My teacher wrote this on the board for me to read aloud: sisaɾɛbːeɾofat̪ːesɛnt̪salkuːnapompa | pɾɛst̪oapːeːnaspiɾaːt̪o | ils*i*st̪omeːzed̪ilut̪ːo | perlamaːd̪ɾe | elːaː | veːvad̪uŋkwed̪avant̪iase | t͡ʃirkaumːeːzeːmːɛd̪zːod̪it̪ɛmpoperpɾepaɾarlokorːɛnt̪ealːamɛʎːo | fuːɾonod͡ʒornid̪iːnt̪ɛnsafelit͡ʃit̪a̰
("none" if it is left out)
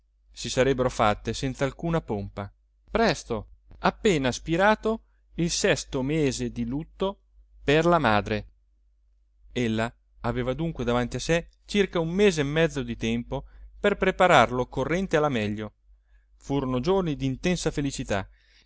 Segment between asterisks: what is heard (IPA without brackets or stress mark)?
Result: ɛ